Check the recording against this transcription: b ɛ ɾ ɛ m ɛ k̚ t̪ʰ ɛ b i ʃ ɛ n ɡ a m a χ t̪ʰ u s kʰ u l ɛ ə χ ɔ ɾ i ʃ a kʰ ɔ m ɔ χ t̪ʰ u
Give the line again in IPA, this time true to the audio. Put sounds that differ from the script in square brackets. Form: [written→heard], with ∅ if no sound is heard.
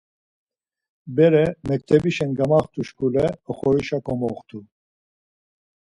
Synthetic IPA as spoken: b ɛ ɾ ɛ m ɛ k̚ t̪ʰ ɛ b i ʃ ɛ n ɡ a m a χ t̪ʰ u [s→ʃ] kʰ u l ɛ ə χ ɔ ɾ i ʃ a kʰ ɔ m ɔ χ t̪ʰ u

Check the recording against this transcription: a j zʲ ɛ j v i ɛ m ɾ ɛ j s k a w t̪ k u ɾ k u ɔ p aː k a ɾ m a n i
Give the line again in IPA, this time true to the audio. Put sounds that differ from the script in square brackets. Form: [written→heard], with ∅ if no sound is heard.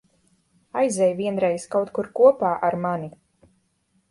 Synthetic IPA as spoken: a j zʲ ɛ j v i ɛ [m→n] ɾ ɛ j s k a w t̪ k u ɾ k u ɔ p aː [k→ʔ] a ɾ m a n i

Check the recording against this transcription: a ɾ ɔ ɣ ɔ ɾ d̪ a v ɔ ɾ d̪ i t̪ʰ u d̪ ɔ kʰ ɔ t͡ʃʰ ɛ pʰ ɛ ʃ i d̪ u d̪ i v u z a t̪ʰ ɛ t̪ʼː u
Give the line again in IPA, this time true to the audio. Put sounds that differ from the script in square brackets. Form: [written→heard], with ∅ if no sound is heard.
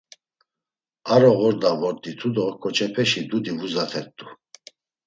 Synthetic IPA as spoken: a ɾ ɔ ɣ ɔ ɾ d̪ a v ɔ ɾ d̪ i t̪ʰ u d̪ ɔ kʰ ɔ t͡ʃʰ ɛ pʰ ɛ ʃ i d̪ u d̪ i v u z a t̪ʰ ɛ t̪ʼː u

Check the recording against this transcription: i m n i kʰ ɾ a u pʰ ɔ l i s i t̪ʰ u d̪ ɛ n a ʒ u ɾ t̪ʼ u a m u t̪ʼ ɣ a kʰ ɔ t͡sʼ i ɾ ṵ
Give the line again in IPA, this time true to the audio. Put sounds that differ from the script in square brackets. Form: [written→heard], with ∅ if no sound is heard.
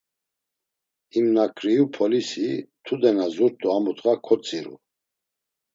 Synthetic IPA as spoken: i m n [i→a] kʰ ɾ [a→i] u pʰ ɔ l i s i t̪ʰ u d̪ ɛ n a [ʒ→z] u ɾ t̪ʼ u a m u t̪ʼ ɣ a kʰ ɔ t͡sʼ i ɾ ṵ

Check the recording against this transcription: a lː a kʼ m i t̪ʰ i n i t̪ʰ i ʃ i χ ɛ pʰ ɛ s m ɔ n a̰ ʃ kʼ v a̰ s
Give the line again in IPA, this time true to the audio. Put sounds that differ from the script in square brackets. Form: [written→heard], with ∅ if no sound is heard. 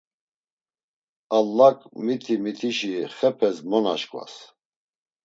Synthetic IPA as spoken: a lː a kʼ m i t̪ʰ i [n→m] i t̪ʰ i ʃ i χ ɛ pʰ ɛ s m ɔ n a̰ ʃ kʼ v a̰ s

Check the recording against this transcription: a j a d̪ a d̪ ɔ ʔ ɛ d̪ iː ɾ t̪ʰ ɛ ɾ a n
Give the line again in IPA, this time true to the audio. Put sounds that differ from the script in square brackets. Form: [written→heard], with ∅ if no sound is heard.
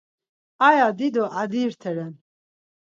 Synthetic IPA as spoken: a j a d̪ [a→i] d̪ ɔ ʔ [ɛ→a] d̪ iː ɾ t̪ʰ ɛ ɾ [a→ɛ] n

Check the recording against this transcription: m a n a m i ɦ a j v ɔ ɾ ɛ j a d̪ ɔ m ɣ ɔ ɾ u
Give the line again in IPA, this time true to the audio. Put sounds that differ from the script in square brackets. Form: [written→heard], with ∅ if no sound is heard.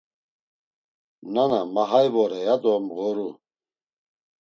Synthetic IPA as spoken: [m→n] a n a m [i→a] ɦ a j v ɔ ɾ ɛ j a d̪ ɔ m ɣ ɔ ɾ u

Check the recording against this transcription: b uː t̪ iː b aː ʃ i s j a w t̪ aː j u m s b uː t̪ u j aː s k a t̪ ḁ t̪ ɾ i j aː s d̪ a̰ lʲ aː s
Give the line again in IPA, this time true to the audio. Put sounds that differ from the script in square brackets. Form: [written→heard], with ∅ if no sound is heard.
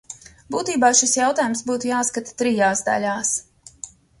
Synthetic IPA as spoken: b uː t̪ iː b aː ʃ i s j a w t̪ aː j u m s b uː t̪ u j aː s k a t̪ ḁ t̪ ɾ i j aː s d̪ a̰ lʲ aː s

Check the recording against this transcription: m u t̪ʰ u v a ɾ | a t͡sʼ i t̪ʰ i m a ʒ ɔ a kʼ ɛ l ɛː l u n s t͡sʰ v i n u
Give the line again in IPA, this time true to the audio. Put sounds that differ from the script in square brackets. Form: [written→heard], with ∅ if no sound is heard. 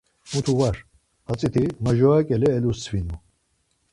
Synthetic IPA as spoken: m u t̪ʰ u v a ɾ | a t͡sʼ i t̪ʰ i m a ʒ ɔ a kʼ ɛ l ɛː l u [n→∅] s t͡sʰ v i n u

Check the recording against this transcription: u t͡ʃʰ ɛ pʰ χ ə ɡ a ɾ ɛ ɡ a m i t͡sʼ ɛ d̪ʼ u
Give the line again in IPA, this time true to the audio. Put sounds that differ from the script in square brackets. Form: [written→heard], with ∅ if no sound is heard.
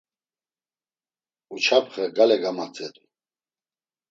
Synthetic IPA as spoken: u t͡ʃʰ [ɛ→a] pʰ χ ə ɡ a [ɾ→l] ɛ ɡ a m [i→a] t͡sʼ ɛ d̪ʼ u

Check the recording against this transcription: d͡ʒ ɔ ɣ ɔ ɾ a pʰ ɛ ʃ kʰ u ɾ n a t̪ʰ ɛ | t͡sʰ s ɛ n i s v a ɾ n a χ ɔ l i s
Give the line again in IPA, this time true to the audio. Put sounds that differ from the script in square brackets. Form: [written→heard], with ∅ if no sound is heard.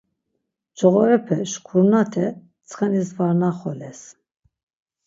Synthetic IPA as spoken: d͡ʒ ɔ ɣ ɔ ɾ [a→ɛ] pʰ ɛ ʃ kʰ u ɾ n a t̪ʰ ɛ | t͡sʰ [s→χ] ɛ n i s v a ɾ n a χ ɔ l [i→ɛ] s

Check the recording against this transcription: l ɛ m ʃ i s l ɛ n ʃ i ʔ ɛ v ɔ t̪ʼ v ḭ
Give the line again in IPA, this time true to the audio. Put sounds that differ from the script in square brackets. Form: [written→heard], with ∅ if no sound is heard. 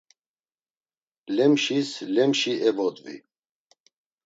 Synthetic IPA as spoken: l ɛ m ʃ i s l ɛ [n→m] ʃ i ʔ ɛ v ɔ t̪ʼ v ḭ

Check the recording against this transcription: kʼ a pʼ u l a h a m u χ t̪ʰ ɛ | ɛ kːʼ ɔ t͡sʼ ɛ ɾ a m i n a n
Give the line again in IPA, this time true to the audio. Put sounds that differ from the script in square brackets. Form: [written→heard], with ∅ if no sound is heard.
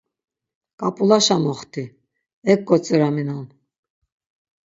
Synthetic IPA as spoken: kʼ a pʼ u l a [h→ʃ] a m [u→ɔ] χ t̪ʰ [ɛ→i] | ɛ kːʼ ɔ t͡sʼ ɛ ɾ a m i n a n

